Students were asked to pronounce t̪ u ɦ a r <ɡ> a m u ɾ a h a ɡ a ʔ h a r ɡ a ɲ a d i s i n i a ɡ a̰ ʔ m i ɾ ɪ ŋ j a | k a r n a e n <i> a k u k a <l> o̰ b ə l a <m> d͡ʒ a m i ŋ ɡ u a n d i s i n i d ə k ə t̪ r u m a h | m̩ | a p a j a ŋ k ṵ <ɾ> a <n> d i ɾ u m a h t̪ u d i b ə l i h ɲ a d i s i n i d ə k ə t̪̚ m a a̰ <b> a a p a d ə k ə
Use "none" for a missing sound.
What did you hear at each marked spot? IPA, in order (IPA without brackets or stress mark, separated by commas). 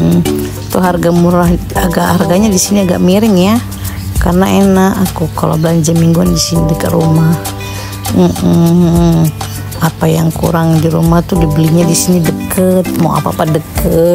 ɡ, a, l, ɲ, ɾ, ŋ, p